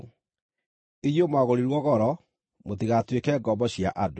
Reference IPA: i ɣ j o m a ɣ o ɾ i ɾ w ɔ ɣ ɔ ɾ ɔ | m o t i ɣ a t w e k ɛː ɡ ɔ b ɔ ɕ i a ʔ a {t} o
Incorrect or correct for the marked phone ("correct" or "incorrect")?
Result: incorrect